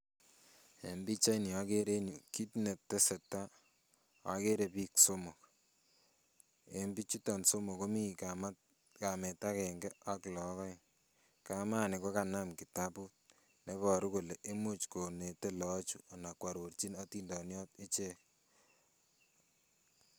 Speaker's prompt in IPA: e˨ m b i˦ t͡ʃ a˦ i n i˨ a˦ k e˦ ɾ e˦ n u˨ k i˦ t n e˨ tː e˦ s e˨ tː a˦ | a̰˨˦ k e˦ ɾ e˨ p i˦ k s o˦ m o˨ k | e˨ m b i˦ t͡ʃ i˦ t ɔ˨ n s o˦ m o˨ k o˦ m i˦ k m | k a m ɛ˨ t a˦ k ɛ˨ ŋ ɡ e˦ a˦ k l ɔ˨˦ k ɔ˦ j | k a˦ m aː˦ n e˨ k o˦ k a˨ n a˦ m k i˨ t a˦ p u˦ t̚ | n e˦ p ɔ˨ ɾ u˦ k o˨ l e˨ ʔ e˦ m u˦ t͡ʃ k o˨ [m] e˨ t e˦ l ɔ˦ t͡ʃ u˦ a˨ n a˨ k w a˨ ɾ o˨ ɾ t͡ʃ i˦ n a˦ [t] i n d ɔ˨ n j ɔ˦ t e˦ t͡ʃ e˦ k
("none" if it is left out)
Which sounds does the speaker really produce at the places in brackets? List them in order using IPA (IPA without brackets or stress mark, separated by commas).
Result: n, t